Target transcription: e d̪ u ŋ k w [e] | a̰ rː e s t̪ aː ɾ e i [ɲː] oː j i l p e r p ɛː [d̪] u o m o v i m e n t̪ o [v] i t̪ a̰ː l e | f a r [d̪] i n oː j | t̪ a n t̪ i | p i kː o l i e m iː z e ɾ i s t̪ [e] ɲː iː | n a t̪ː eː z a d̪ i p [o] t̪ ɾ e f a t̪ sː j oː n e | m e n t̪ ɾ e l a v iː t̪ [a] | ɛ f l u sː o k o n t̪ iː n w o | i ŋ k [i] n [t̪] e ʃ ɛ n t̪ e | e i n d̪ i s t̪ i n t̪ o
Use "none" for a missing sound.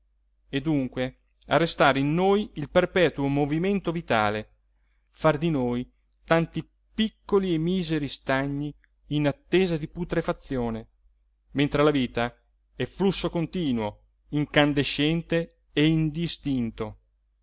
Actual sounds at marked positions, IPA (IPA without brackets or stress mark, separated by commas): e, nː, t̪, v, d̪, a, u, a, a, d̪